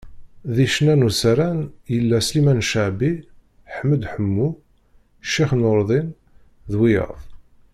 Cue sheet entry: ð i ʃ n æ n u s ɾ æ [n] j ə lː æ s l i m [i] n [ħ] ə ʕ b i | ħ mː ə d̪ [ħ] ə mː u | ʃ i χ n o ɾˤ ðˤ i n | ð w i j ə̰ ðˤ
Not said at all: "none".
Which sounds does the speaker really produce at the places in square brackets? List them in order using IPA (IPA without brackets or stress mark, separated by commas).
n, æ, ʃ, ħ